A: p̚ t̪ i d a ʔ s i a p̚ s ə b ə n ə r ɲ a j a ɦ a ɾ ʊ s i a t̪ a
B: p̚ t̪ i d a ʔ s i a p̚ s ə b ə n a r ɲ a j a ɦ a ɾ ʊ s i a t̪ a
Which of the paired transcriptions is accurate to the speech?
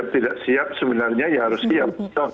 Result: B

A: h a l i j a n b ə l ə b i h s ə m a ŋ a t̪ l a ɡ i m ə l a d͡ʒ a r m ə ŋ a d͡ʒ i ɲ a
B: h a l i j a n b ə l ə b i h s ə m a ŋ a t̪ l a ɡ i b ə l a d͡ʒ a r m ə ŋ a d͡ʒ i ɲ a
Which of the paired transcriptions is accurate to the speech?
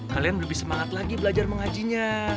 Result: B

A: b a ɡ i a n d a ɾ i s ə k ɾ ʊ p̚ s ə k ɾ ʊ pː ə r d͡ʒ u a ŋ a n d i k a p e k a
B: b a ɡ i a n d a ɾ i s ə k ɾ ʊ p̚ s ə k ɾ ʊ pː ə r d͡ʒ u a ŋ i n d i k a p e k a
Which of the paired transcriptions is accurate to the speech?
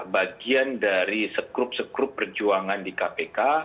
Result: A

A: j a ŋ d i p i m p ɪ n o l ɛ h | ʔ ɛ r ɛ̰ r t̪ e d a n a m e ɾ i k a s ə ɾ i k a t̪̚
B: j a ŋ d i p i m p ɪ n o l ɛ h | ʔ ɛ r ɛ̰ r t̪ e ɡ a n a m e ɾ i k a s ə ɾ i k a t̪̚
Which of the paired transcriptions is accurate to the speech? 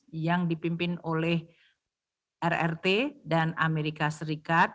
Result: A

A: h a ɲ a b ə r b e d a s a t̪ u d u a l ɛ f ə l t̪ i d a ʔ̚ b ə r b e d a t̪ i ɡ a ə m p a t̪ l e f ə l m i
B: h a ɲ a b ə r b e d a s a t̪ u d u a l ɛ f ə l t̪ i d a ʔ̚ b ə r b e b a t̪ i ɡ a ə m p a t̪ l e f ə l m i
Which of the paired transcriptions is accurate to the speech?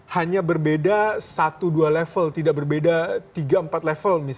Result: A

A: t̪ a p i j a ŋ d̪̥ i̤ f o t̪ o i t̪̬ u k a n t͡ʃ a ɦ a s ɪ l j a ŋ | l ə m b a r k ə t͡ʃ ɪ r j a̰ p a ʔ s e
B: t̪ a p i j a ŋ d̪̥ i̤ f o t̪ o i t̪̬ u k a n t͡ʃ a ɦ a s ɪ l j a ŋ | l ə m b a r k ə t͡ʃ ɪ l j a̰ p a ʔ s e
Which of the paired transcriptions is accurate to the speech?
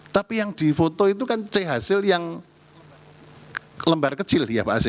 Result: B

